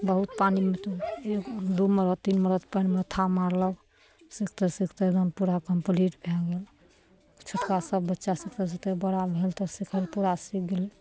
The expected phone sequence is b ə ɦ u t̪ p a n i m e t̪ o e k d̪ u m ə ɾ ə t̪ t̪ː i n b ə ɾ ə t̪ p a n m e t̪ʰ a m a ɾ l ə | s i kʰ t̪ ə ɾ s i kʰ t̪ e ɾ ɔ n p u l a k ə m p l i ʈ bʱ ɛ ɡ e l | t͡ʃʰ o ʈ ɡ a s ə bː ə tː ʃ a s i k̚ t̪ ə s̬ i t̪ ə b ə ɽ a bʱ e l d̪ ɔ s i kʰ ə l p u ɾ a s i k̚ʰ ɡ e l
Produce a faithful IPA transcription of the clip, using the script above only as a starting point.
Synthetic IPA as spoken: b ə ɦ u t̪ p a n i m e t̪ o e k d̪ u m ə ɾ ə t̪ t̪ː i n m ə ɾ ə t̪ p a n m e t̪ʰ a m a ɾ l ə | s i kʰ t̪ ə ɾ s i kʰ t̪ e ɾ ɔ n p u ɾ a k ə m p l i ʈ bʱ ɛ ɡ e l | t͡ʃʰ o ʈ k a s ə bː ə tː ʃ a s i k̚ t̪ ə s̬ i t̪ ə b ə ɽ a bʱ e l t̪ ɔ s i kʰ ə l p u ɾ a s i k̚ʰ ɡ e l